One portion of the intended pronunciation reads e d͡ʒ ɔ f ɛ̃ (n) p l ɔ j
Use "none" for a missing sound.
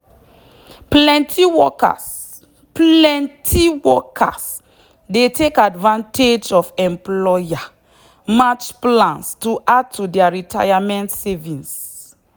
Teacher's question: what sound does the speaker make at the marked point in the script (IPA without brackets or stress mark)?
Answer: m